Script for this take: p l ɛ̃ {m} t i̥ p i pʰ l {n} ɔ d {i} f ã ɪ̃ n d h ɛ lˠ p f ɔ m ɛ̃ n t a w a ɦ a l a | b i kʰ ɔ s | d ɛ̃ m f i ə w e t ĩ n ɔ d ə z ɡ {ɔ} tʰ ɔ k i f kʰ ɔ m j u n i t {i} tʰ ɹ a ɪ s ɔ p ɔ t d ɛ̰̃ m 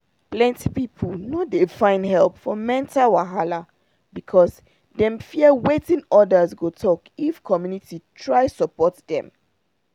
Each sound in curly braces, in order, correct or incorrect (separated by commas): incorrect, correct, incorrect, incorrect, correct